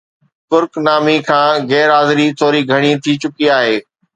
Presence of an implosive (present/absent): absent